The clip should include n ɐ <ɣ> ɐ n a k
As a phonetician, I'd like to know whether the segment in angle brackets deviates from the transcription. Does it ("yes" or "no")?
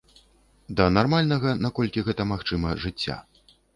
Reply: no